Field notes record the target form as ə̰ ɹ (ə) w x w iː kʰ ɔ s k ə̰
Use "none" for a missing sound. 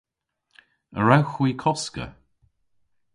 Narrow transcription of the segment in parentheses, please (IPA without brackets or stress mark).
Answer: a